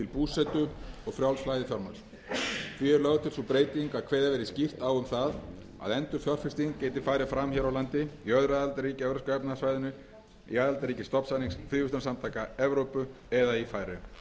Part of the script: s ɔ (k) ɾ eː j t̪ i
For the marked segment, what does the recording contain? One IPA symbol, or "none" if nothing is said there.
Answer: p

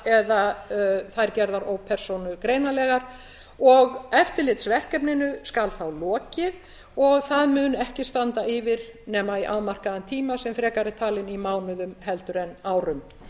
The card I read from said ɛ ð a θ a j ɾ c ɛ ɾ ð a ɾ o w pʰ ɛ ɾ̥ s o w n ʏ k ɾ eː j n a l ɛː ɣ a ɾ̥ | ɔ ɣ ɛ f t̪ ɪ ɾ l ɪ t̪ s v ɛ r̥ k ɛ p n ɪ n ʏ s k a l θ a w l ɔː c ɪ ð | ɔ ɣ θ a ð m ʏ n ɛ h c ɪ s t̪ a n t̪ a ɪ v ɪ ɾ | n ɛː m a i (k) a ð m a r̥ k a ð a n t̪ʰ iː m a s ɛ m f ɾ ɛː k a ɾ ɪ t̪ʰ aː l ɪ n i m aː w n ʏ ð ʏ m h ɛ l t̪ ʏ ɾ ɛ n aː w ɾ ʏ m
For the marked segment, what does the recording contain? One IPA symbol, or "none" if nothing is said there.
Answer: ʔ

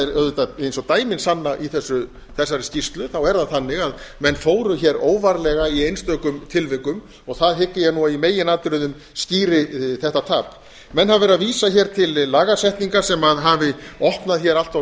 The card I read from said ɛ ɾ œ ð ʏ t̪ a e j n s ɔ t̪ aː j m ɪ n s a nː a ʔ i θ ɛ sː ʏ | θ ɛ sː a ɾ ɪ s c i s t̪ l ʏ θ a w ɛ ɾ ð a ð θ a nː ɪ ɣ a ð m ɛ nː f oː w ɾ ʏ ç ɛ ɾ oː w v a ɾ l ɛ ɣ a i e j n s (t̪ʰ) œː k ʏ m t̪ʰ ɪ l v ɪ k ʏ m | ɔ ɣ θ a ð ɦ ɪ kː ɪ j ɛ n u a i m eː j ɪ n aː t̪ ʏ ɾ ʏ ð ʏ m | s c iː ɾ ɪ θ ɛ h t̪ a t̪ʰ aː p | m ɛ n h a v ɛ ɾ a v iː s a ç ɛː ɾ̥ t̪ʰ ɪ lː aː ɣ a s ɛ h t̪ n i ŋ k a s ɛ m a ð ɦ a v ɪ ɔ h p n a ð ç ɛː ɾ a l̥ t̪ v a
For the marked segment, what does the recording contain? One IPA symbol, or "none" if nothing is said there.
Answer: t̪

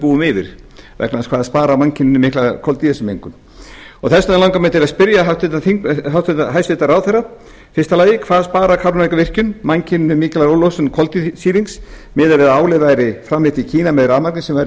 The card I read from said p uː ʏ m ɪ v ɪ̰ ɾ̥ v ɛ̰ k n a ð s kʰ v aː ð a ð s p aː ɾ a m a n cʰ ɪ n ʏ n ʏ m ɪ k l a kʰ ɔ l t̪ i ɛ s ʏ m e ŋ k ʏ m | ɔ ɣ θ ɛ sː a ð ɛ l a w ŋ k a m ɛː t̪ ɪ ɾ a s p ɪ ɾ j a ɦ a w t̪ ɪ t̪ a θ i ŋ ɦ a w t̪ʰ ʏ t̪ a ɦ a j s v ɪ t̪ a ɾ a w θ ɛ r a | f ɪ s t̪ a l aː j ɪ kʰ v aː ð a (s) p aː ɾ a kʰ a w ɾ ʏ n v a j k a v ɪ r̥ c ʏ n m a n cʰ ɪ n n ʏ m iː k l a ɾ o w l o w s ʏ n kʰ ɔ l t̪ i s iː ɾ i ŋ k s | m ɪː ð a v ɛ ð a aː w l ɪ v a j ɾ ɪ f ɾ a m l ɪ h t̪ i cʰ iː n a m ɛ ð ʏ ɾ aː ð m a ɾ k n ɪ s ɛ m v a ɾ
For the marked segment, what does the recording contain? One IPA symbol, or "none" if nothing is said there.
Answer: s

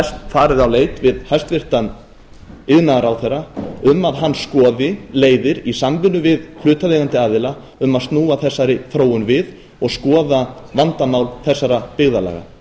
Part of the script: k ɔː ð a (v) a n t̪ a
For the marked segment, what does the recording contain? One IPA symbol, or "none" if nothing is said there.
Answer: v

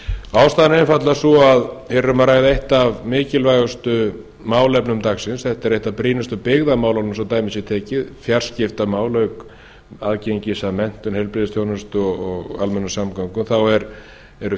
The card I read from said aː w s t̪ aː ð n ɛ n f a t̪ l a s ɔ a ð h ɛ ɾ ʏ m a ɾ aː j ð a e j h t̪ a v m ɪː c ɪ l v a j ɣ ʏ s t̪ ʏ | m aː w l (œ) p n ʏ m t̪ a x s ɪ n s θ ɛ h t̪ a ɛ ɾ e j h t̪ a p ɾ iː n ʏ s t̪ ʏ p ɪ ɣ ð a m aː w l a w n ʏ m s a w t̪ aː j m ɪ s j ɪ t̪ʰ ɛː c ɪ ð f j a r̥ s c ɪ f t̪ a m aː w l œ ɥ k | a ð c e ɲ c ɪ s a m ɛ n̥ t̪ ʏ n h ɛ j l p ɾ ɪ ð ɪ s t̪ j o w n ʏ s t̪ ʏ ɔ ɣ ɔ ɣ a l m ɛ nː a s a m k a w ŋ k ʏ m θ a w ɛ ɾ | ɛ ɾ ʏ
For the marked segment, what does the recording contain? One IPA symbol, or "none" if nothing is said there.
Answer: ɛ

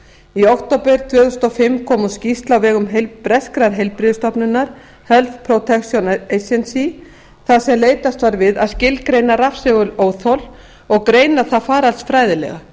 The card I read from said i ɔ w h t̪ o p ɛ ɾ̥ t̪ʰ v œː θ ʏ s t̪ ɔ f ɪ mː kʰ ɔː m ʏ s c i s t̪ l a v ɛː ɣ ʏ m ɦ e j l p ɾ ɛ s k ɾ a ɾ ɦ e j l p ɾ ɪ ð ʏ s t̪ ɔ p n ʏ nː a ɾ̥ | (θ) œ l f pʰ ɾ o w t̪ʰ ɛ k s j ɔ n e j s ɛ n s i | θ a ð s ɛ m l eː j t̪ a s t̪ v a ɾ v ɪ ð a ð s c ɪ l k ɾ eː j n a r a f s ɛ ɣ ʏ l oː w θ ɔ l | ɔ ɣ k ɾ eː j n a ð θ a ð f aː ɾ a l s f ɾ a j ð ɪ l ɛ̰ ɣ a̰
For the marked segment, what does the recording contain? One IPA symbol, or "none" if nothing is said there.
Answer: h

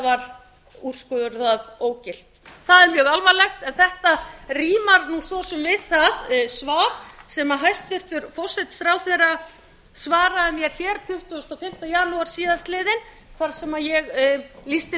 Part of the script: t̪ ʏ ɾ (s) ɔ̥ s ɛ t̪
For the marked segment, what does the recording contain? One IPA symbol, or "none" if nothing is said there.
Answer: f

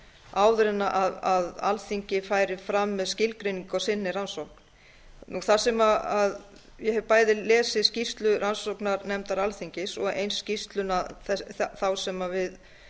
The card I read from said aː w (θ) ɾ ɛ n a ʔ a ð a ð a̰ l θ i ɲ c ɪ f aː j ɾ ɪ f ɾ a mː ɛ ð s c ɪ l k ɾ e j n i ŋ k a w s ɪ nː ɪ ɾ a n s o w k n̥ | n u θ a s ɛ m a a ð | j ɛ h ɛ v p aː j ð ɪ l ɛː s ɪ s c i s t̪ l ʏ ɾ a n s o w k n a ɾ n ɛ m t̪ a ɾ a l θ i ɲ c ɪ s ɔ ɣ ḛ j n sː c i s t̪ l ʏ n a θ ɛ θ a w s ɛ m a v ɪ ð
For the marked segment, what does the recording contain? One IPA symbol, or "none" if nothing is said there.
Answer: ð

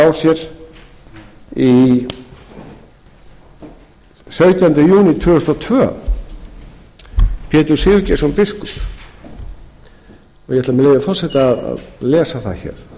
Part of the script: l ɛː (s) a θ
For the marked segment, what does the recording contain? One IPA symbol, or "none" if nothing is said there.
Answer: s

